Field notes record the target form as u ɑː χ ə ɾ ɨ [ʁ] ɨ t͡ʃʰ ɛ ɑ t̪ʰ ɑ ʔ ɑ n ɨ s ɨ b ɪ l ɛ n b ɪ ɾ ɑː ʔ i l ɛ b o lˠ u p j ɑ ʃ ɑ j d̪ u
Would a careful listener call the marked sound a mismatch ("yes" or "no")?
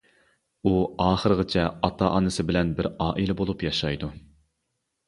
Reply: no